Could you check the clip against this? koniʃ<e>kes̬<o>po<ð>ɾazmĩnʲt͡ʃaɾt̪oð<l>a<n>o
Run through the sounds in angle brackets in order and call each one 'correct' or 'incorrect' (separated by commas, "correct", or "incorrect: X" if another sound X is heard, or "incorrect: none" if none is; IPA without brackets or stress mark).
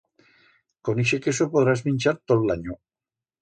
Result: correct, correct, correct, correct, incorrect: ɲ